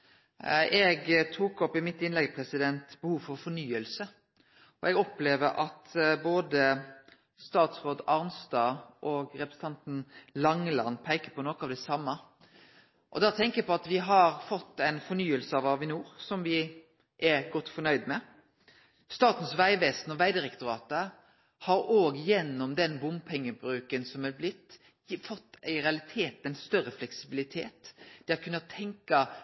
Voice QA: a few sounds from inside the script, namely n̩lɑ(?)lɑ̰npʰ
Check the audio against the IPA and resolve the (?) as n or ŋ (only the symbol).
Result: ŋ